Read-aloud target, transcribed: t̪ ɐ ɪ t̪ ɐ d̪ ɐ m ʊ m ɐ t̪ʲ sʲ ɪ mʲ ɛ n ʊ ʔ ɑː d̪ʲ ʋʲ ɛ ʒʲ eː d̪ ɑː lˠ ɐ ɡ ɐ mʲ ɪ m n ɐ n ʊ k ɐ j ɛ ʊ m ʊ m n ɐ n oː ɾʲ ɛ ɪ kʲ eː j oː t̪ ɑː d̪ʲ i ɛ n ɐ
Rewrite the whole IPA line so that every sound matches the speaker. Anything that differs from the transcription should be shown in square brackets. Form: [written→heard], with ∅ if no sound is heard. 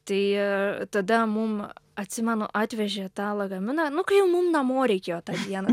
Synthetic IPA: t̪ ɐ ɪ t̪ ɐ d̪ ɐ m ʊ m ɐ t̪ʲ sʲ ɪ mʲ ɛ n ʊ ʔ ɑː [d̪ʲ→t̪ʲ] ʋʲ ɛ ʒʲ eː [d̪→t̪] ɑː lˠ ɐ ɡ ɐ mʲ ɪ [m→∅] n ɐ n ʊ k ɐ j ɛ ʊ m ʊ m n ɐ [n→m] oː ɾʲ ɛ ɪ kʲ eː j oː t̪ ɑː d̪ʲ i ɛ n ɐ